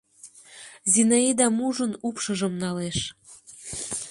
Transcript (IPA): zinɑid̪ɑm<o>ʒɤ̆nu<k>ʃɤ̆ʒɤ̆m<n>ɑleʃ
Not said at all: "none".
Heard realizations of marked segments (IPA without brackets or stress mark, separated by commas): u, p, n